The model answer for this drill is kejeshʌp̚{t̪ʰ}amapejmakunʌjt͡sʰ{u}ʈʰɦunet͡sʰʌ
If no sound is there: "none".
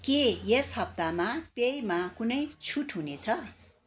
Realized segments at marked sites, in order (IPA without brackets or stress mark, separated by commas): t̪, u